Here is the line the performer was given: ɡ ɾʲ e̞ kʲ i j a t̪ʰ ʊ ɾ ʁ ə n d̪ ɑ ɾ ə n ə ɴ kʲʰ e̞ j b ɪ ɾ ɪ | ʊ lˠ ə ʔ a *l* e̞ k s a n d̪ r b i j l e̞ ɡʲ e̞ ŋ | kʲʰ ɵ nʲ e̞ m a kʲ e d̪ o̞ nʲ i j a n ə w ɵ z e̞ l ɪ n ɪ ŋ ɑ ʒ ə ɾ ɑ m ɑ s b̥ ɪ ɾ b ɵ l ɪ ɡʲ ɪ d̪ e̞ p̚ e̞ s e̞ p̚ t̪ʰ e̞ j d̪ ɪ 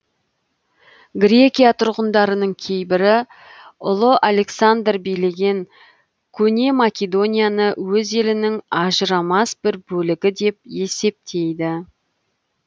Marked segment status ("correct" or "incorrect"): correct